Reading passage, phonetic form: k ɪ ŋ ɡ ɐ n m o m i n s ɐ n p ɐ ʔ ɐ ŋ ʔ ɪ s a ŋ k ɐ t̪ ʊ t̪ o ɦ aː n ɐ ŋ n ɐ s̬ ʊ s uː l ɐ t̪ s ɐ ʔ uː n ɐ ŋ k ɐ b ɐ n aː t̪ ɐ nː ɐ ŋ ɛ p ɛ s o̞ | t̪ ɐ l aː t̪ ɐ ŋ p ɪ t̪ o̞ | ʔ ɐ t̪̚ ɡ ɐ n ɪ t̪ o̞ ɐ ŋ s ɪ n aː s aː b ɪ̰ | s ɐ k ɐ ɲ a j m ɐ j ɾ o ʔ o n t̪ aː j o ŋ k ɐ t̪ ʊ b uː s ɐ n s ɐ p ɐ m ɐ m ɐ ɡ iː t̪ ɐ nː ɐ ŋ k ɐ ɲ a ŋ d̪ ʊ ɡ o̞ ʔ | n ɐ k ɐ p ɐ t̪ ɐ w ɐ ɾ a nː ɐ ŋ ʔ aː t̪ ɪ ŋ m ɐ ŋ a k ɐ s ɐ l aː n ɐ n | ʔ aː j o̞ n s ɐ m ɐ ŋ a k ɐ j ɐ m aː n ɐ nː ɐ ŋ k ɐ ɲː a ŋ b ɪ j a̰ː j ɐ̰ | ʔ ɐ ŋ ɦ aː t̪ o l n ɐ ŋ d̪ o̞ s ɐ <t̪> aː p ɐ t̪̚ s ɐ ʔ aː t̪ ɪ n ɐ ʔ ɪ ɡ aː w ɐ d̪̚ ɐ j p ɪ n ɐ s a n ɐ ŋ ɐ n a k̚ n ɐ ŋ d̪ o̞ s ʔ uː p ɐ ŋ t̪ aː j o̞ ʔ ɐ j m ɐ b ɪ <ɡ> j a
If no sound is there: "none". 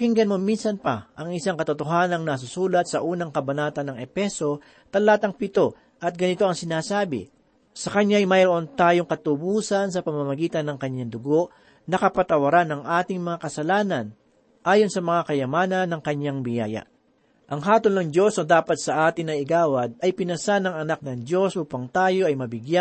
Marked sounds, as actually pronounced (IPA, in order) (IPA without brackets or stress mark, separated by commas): d̪, ɡ